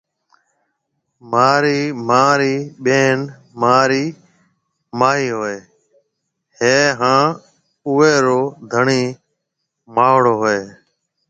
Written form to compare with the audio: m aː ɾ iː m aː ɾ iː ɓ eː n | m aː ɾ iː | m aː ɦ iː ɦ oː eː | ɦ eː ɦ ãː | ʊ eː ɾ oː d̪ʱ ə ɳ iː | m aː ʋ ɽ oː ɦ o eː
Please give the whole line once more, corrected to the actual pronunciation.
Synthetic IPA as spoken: m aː ɾ iː m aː ɾ iː ɓ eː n | m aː ɾ iː | m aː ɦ iː ɦ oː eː | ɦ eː ɦ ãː | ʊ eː ɾ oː d̪ʱ ə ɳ iː | m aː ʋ ɽ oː ɦ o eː

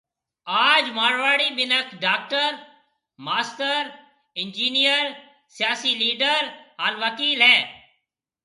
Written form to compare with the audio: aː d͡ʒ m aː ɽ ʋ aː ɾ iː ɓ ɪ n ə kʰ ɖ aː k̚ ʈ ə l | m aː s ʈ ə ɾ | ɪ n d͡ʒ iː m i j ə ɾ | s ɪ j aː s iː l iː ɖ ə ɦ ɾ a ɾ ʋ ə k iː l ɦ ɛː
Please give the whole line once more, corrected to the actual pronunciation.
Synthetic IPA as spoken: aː d͡ʒ m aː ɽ ʋ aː ɽ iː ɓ ɪ n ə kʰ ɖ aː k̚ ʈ ə ɾ | m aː s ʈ ə ɾ | ɪ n d͡ʒ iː n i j ə ɾ | s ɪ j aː s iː l iː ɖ ə ɾ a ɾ ʋ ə k iː l ɦ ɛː

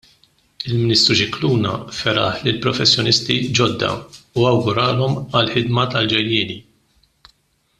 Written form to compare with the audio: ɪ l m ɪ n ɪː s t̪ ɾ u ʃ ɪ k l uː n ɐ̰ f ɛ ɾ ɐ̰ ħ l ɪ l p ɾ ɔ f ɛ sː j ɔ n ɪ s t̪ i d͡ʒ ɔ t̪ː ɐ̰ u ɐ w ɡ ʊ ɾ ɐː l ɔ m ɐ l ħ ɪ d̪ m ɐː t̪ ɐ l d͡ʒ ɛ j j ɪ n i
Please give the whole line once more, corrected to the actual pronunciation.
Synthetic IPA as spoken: ɪ l m ɪ n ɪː s t̪ ɾ u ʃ ɪ k l uː n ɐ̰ f ɛ ɾ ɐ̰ ħ l ɪ l p ɾ ɔ f ɛ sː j ɔ n ɪ s t̪ i d͡ʒ ɔ d̪ː ɐ̰ u ɐ w ɡ ʊ ɾ ɐː l ɔ m ɐ l ħ ɪ d̪ m ɐ t̪ ɐ l d͡ʒ ɛ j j ɪː n i

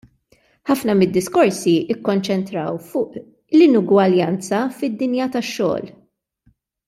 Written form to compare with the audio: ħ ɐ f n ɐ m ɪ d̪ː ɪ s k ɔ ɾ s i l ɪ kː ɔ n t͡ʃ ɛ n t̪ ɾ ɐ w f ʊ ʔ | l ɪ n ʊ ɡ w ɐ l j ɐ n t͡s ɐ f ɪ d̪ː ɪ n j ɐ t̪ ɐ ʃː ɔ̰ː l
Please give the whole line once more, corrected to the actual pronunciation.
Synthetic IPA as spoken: ħ ɐ f n ɐ m ɪ d̪ː ɪ s k ɔ ɾ s i ɪ kː ɔ n t͡ʃ ɛ n t̪ ɾ ɐ w f ʊː ʔ | l ɪ n ʊ ɡ w ɐ l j ɐ n t͡s ɐ f ɪ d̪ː ɪ n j ɐ t̪ ɐ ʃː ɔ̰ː l

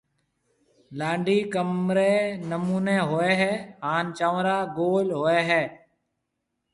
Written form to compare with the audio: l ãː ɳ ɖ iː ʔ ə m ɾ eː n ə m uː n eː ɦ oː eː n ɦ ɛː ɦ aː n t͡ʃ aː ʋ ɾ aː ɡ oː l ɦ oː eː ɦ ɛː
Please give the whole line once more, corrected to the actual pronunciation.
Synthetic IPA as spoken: l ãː ɳ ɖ iː k ə m ɾ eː n ə m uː n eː ɦ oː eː ɦ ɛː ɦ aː n t͡ʃ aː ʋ ɾ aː ɡ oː l ɦ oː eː ɦ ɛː

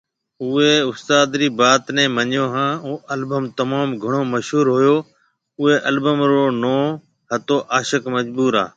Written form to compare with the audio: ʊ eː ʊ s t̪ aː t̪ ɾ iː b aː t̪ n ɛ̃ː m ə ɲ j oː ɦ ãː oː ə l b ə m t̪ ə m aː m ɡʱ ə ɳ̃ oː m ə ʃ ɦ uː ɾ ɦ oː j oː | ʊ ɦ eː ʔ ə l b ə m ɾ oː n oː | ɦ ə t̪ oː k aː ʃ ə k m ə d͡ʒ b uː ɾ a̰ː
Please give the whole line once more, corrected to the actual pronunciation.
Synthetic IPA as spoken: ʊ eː ʊ s t̪ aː d̪ ɾ iː b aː t̪ n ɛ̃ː m ə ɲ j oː ɦ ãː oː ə l b ə m t̪ ə m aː m ɡʱ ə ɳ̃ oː m ə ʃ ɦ uː ɾ ɦ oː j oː | ʊ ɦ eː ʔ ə l b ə m ɾ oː n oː | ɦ ə t̪ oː ʔ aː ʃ ə k m ə d͡ʒ b uː ɾ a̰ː

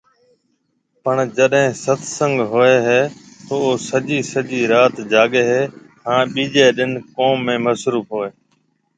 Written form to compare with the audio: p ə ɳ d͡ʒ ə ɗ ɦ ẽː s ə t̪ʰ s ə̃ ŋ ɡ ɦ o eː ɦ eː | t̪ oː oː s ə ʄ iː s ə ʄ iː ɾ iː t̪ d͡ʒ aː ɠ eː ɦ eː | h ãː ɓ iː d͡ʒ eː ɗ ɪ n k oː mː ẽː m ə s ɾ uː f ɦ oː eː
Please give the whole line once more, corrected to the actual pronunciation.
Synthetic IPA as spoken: p ə ɳ d͡ʒ ə ɗ ɦ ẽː s ə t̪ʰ s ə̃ ŋ ɡ ɦ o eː ɦ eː | t̪ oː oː s ə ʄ iː s ə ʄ iː ɾ aː t̪ d͡ʒ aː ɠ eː ɦ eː | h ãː ɓ iː d͡ʒ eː ɗ ɪ n k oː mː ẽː m ə s ɾ uː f ɦ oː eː

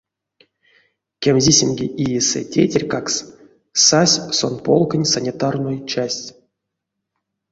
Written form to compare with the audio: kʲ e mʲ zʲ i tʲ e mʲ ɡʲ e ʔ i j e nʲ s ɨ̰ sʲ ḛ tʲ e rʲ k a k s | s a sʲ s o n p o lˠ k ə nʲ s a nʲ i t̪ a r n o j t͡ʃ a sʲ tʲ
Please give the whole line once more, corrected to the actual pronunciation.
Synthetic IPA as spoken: kʲ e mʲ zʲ i sʲ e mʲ ɡʲ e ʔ i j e s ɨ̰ tʲ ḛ tʲ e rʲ k a k s | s a sʲ s o n p o lˠ k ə nʲ s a nʲ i t̪ a r n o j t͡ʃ a sʲ tʲ

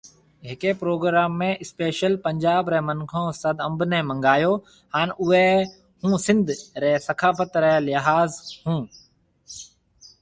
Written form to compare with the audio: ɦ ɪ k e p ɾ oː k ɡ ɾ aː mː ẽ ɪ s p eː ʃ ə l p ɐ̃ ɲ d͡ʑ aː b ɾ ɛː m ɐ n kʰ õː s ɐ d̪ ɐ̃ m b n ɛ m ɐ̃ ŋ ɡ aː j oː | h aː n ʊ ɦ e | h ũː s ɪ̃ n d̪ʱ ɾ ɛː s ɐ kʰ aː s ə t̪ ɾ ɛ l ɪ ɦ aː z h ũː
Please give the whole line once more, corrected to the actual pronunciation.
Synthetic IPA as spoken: ɦ ɪ k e p ɾ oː ɡ ɾ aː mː ẽ ɪ s p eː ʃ ə l p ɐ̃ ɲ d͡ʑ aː b ɾ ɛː m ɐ n kʰ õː s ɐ d̪ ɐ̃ m b n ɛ m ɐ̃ ŋ ɡ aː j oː | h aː n ʊ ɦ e | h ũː s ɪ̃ n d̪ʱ ɾ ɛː s ɐ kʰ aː f ə t̪ ɾ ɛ l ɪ ɦ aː z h ũː

